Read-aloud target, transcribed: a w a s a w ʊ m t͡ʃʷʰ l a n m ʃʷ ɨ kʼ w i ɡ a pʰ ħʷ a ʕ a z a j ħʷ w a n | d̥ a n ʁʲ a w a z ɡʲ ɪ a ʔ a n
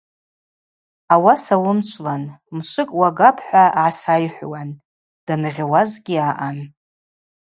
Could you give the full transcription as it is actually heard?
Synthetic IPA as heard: a w a s a w ʊ m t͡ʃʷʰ l a n m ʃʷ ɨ kʼ w a ɡ a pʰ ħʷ a ʕ a s a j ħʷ w a n | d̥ a n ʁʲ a w a z ɡʲ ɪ a ʔ a n